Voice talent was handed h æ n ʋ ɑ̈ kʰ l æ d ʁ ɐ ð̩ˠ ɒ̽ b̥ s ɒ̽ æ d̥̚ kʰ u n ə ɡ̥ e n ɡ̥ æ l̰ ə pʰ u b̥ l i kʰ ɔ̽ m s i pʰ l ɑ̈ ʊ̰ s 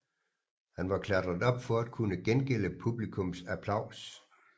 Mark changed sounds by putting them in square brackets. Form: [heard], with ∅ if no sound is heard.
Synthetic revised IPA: h æ n ʋ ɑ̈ kʰ l æ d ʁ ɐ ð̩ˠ ɒ̽ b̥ [f] ɒ̽ æ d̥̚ kʰ u n ə ɡ̥ e n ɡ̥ [e] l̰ ə pʰ u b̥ l i kʰ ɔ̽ m s [æ] pʰ l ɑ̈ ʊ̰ s